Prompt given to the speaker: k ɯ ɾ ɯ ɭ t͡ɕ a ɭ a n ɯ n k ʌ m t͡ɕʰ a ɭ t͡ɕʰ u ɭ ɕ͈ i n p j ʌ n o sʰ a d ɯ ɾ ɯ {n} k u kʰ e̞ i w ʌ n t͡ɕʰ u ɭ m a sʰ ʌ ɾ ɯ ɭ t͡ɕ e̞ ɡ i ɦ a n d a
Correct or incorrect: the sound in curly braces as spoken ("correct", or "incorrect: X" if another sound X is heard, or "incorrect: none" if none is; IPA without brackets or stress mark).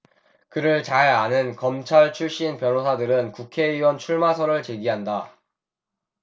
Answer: correct